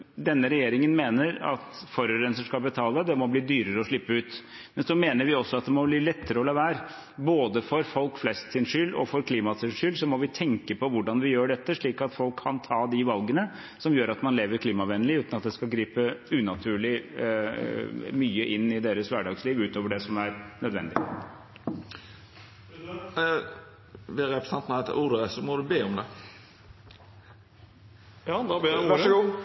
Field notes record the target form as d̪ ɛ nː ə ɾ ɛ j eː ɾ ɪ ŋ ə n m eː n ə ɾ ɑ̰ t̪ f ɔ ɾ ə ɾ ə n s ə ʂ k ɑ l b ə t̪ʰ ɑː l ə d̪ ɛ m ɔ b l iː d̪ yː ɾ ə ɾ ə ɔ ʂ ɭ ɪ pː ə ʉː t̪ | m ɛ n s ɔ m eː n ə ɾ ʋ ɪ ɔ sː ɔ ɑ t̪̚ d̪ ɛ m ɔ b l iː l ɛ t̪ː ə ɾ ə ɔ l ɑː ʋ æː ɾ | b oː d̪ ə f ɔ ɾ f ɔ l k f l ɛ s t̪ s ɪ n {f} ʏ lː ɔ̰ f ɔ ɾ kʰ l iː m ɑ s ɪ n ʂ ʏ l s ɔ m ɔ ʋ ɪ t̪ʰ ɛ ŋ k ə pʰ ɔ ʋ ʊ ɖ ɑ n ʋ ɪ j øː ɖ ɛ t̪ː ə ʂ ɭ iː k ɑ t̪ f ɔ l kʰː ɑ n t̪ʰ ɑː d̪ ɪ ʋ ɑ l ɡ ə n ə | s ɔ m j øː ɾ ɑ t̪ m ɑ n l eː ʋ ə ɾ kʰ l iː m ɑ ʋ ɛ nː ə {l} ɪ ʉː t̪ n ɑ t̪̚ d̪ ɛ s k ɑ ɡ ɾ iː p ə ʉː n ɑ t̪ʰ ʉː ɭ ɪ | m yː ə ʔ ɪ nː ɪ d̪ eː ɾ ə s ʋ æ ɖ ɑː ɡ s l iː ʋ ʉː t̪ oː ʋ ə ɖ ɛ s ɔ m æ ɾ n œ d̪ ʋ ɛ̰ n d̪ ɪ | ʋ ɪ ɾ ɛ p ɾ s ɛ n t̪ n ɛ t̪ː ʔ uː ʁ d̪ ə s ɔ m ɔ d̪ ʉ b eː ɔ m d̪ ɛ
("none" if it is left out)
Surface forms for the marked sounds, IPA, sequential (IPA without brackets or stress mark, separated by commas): ʂ, l